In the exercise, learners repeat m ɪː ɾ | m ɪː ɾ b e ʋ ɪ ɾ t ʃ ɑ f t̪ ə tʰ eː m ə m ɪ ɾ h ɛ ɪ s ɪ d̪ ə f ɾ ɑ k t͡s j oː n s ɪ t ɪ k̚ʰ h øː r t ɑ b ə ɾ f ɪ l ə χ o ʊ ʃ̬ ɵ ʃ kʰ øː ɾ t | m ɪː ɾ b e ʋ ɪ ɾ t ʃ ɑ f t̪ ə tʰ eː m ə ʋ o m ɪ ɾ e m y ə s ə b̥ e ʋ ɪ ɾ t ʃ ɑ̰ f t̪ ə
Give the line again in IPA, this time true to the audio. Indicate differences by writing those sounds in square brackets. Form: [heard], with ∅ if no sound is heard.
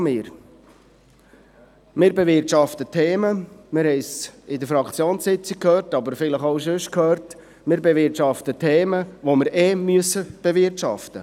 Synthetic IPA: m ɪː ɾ | m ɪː ɾ b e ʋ ɪ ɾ t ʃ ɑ f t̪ ə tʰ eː m ə m ɪ ɾ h ɛ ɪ s ɪ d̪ ə f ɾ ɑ k t͡s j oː n s ɪ [t͡s] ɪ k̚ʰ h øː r t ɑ b ə ɾ f ɪ l ə χ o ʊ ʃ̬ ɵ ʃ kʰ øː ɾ t | m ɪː ɾ b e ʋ ɪ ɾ t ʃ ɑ f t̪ ə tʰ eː m ə ʋ o m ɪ ɾ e m y ə s ə b̥ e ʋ ɪ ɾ t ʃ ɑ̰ f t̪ ə